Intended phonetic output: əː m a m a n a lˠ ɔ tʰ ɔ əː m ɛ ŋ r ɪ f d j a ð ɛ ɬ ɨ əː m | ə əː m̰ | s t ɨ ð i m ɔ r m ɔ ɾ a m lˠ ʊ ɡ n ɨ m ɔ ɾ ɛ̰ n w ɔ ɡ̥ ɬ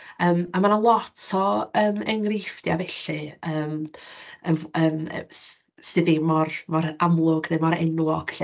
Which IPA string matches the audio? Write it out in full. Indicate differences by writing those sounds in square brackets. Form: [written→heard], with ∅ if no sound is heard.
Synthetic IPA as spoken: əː m a m a n a lˠ ɔ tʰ ɔ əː m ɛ ŋ r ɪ f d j a [ð→v] ɛ ɬ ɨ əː m | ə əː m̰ | s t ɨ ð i m ɔ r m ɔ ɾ a m lˠ ʊ ɡ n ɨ m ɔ ɾ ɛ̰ n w ɔ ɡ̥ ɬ